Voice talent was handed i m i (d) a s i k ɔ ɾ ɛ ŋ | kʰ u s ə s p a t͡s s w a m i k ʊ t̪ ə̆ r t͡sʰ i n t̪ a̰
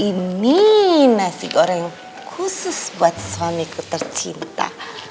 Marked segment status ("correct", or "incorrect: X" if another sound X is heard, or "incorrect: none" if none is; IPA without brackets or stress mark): incorrect: n